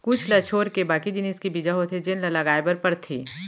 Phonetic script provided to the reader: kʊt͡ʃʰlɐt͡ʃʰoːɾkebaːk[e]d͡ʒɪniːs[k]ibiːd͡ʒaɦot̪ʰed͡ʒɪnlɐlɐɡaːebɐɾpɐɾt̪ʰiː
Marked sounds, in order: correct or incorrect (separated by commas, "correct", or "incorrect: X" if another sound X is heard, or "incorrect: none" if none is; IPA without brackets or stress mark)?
incorrect: i, correct